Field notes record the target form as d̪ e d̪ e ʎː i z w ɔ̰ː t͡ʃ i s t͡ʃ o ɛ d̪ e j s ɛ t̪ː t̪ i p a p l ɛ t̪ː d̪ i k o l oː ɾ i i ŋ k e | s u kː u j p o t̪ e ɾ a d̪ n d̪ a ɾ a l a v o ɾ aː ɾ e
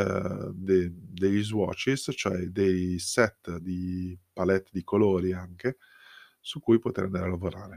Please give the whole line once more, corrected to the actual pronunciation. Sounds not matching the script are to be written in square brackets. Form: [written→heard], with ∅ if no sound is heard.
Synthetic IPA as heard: d̪ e d̪ e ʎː i z w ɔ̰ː t͡ʃ i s t͡ʃ o ɛ d̪ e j s ɛ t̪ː [t̪→d̪] i p a [p→∅] l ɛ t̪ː d̪ i k o l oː ɾ i [i→a] ŋ k e | s u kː u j p o t̪ e ɾ a [d̪→∅] n d̪ a ɾ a l a v o ɾ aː ɾ e